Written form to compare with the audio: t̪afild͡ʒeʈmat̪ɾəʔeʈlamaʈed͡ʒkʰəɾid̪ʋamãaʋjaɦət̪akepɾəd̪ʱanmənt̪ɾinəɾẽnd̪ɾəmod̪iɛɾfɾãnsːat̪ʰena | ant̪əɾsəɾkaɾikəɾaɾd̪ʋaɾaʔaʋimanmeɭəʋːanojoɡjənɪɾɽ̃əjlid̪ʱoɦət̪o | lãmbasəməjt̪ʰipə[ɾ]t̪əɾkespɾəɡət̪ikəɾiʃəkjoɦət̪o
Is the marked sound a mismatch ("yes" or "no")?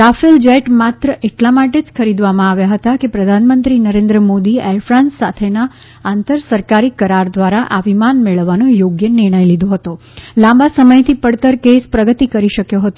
yes